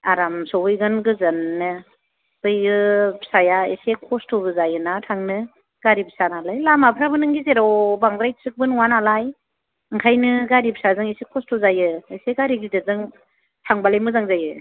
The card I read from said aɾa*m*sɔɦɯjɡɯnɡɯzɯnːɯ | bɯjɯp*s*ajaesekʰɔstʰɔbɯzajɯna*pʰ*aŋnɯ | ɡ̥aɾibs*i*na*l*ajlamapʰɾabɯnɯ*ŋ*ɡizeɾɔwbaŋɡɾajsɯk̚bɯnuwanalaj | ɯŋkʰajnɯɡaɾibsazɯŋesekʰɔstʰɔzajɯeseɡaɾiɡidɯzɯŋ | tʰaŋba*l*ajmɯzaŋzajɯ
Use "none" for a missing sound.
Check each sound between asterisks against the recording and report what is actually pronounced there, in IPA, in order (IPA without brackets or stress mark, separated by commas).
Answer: m, s, tʰ, a, l, ŋ, l